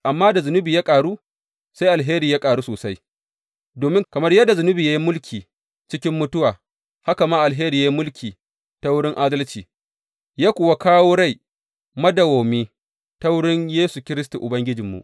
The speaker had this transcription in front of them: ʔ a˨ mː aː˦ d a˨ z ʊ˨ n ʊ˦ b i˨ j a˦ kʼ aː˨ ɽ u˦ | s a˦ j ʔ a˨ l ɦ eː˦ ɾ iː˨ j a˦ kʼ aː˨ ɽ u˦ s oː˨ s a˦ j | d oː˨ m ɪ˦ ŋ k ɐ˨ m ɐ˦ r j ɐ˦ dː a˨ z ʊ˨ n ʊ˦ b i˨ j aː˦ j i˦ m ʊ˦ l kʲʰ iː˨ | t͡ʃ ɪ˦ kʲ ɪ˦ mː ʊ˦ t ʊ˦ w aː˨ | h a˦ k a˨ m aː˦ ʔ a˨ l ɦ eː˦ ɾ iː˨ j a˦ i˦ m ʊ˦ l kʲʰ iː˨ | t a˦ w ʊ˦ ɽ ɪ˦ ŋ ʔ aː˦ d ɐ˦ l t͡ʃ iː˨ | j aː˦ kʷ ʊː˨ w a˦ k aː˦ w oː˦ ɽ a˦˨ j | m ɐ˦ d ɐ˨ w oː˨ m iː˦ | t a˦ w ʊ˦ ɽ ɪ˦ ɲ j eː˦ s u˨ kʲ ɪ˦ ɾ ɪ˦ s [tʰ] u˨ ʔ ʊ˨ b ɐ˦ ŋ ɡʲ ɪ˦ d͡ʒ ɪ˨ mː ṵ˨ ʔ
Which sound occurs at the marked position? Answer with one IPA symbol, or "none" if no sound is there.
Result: t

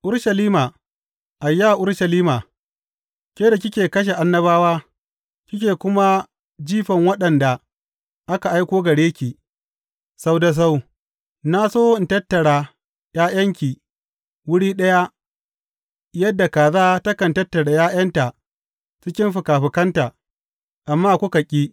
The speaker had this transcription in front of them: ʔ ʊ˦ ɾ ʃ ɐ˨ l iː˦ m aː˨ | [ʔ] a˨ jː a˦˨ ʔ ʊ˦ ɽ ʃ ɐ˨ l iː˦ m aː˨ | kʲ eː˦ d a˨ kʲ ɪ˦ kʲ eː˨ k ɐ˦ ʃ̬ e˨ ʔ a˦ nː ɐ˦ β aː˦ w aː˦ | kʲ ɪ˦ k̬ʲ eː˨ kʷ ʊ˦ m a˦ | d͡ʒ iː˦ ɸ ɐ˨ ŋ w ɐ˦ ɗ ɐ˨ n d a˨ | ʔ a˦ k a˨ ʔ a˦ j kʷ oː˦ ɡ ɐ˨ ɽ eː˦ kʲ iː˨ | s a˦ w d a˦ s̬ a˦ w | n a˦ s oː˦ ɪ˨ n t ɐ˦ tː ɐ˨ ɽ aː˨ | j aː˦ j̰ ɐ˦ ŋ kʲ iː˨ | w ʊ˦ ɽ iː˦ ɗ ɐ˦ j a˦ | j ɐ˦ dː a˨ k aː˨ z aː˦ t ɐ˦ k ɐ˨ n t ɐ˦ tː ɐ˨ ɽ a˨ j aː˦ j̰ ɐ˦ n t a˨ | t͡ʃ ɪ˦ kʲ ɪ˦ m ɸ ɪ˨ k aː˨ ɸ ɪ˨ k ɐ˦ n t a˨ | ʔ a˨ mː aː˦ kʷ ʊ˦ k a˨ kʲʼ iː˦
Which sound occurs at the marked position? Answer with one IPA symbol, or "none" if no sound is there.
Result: ʔ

